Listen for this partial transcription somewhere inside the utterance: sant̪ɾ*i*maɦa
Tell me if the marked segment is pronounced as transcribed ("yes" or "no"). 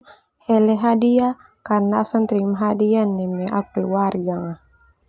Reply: yes